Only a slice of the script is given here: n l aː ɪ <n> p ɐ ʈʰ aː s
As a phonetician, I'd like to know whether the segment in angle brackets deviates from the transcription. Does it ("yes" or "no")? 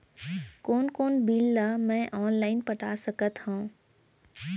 no